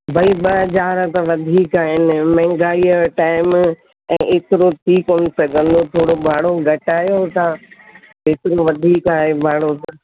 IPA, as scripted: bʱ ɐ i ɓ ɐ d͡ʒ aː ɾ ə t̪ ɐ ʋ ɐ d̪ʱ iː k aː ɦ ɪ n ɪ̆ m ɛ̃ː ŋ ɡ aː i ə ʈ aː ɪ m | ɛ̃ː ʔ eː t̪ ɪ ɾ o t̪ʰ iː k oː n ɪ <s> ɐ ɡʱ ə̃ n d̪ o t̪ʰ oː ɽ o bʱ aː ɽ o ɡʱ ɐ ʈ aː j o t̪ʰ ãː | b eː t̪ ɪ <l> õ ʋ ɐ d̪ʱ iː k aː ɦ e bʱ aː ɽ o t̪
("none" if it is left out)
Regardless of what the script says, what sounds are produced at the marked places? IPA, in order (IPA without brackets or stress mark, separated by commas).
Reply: s, ɾ